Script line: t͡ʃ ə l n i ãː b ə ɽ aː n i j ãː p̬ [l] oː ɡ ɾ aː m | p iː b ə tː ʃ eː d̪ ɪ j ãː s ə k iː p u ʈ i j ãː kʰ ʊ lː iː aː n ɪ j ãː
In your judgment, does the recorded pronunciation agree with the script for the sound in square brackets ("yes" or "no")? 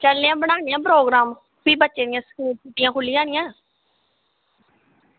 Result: no